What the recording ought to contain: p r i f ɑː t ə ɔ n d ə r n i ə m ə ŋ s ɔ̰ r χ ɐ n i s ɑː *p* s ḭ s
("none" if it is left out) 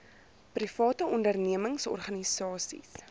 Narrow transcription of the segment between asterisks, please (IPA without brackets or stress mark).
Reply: none